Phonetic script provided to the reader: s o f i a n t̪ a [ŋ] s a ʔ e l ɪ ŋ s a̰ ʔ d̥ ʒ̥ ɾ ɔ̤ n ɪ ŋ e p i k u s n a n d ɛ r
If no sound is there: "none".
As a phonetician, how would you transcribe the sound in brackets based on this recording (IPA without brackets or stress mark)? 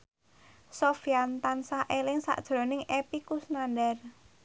n